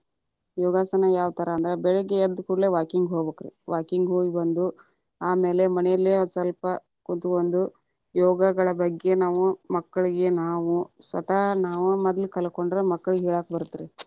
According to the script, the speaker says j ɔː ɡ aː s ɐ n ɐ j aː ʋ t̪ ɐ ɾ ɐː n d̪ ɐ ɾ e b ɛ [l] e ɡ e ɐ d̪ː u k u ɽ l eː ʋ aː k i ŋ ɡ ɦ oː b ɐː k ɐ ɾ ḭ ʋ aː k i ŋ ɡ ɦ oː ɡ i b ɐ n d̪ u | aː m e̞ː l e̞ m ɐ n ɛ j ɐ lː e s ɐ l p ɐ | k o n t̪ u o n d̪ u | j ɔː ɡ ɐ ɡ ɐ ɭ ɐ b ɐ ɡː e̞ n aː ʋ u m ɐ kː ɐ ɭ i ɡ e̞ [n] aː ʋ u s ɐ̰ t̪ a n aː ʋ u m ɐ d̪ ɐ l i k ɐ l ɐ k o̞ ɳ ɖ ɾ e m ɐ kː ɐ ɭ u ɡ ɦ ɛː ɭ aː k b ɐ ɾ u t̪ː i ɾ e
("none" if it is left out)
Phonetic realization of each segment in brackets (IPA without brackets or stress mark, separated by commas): ɭ, n